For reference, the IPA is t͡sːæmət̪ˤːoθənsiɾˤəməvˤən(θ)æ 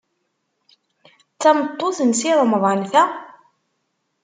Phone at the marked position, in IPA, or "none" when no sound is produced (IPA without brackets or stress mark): θ